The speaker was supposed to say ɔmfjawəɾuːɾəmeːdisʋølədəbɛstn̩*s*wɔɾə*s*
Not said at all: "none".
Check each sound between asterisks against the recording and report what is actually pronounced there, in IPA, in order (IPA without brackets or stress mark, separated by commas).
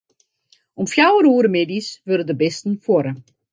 f, none